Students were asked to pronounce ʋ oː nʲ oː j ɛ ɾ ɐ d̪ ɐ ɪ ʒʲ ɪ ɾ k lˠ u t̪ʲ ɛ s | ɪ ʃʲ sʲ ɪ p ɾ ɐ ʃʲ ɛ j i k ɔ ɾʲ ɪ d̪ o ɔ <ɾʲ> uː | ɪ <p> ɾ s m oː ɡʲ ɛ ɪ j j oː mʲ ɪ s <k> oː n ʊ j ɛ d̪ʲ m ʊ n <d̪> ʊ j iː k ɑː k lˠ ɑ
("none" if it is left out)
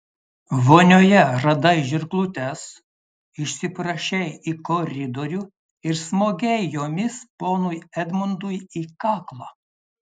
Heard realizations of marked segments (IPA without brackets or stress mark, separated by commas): ɾʲ, none, p, d̪